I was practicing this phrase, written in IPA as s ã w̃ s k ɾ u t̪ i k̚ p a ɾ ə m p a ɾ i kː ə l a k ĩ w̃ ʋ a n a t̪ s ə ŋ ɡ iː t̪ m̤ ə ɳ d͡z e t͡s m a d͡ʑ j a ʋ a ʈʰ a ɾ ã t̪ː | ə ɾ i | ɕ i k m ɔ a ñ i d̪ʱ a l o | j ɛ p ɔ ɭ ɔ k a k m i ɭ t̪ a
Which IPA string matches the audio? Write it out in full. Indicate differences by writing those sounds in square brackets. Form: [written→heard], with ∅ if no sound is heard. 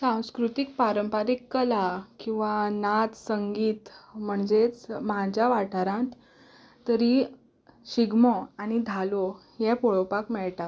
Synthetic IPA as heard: s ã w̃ s k ɾ u t̪ i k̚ p a ɾ ə m p a ɾ i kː ə l a k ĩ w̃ ʋ a n a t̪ s ə ŋ ɡ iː t̪ m̤ ə ɳ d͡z e t͡s m a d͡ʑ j a ʋ a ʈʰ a ɾ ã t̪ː | ə ɾ i | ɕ i [k→ɡ] m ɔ a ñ i d̪ʱ a l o | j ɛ p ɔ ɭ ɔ [k→p] a k m [i→ɛ] ɭ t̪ a